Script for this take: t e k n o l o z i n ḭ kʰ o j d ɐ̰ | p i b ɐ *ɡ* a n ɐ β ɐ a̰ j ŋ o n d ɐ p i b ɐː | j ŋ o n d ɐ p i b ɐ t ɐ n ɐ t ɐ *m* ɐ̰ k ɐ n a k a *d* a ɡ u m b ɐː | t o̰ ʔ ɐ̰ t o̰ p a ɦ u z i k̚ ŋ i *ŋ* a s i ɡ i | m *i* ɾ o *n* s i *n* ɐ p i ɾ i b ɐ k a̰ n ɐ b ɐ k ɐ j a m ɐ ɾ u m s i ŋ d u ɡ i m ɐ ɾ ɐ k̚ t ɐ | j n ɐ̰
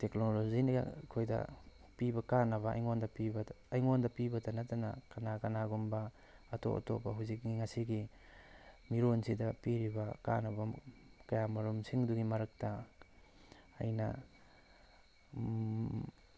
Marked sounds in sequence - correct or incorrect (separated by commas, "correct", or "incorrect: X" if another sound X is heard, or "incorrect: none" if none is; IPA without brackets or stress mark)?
incorrect: k, incorrect: n, incorrect: n, correct, correct, correct, incorrect: d